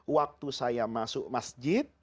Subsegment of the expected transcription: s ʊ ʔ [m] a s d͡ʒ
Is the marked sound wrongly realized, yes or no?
no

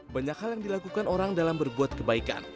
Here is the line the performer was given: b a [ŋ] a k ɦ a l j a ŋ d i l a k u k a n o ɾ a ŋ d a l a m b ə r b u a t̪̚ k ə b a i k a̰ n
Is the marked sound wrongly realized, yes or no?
yes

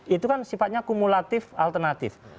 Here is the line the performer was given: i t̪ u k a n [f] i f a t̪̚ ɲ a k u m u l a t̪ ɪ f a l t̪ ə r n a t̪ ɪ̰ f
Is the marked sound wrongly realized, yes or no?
yes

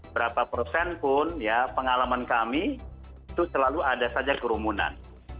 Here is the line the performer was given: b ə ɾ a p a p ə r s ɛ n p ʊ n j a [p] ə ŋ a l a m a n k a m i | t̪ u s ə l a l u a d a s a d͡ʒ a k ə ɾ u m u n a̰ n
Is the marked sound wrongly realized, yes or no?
no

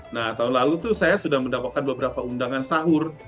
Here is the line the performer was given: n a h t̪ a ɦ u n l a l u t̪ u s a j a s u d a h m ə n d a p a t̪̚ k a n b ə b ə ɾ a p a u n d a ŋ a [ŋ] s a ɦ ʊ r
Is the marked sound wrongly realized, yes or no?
yes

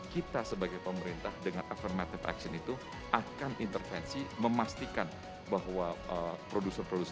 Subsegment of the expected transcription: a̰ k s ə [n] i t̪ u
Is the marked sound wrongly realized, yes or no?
no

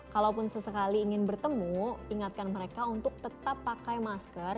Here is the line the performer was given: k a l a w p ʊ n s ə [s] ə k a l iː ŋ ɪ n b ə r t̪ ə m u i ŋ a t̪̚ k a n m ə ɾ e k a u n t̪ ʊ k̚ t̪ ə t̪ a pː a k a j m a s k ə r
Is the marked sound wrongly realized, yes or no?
no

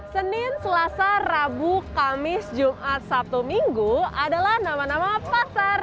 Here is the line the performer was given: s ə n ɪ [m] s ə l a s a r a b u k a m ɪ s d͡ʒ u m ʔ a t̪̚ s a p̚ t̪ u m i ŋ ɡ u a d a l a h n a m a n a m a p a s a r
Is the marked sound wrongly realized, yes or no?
yes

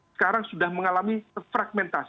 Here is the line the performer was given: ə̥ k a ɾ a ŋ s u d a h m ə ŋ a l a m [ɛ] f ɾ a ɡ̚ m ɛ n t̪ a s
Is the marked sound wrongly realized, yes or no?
yes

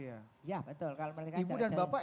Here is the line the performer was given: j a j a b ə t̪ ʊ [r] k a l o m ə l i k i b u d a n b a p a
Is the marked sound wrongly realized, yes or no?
yes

